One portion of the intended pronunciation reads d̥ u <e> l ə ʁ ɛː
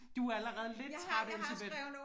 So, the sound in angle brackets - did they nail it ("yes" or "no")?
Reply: no